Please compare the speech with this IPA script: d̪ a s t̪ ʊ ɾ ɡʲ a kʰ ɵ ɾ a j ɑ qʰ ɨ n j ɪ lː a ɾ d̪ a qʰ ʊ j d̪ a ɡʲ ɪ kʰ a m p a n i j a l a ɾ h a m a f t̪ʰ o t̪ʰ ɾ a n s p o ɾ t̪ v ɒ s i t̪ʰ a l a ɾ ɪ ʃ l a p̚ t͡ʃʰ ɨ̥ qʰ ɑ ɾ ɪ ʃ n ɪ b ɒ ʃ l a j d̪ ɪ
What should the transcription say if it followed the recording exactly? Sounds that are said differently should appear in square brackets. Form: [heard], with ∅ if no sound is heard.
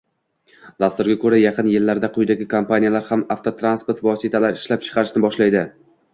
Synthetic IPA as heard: d̪ a s t̪ ʊ ɾ ɡʲ a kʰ ɵ ɾ a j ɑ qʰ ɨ n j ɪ lː a ɾ d̪ a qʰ ʊ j d̪ a ɡʲ ɪ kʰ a m p a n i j a l a ɾ h a m a f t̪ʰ o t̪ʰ ɾ a n s p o ɾ t̪ v ɒ s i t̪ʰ a l a ɾ ɪ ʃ l a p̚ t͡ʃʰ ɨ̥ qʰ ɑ ɾ ɪ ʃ n ɪ b ɒ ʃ l a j d̪ ɪ